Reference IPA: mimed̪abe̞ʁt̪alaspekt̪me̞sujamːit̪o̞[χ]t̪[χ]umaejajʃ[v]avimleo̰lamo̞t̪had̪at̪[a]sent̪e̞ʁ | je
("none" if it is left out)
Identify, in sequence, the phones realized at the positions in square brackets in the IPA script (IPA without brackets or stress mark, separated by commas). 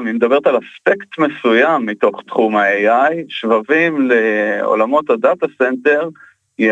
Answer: χ, χ, v, a